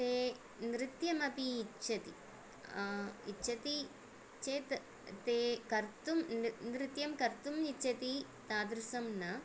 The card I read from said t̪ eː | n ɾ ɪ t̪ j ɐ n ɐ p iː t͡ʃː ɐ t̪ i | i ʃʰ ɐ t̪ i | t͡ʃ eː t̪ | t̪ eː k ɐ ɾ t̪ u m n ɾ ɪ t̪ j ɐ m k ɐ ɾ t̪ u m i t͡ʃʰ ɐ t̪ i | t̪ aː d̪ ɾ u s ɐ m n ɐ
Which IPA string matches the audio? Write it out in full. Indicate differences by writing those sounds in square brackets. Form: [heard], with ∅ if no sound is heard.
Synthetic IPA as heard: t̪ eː | n ɾ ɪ t̪ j ɐ [m] ɐ p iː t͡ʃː ɐ t̪ i | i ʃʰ ɐ t̪ i | t͡ʃ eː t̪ | t̪ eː k ɐ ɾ t̪ u m n ɾ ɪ t̪ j ɐ m k ɐ ɾ t̪ u m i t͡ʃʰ ɐ t̪ i | t̪ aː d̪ ɾ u s ɐ m n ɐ